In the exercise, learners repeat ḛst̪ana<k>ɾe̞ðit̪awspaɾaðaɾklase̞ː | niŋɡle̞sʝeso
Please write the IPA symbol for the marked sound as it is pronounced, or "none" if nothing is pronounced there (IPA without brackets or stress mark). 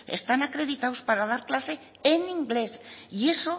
k